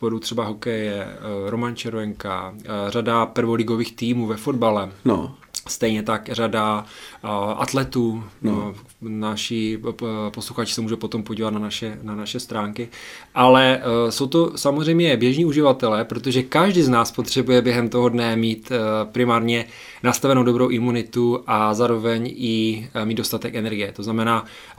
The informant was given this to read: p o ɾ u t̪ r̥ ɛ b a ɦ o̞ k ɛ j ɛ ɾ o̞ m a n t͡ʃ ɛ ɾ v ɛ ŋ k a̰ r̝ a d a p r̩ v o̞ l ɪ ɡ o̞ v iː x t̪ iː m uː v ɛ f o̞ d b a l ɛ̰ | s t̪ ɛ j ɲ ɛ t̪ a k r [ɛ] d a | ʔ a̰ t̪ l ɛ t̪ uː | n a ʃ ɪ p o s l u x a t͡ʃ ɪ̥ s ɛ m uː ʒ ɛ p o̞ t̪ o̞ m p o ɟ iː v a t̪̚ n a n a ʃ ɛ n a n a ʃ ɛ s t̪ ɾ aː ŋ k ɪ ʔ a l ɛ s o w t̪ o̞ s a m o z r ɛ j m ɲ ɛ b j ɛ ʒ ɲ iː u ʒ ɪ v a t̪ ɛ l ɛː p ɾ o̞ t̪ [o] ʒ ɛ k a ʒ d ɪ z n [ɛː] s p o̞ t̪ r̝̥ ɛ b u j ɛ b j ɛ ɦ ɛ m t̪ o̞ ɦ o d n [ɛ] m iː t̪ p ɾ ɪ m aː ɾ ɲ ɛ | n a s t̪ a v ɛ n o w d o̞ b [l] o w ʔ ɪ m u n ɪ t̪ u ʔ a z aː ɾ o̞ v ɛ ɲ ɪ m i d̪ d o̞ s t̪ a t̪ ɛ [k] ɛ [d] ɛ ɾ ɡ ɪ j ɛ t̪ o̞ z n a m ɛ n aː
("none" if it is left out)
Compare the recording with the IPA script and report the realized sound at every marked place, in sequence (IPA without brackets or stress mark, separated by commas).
a, o, aː, ɛ, ɾ, k, n